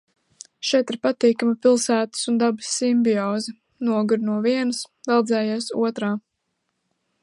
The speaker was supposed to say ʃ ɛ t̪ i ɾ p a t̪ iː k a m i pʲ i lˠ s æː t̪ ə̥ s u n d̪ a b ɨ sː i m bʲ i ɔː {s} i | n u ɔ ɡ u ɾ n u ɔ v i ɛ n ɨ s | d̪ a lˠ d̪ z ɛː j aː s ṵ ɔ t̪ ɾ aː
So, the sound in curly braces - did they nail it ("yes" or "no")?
no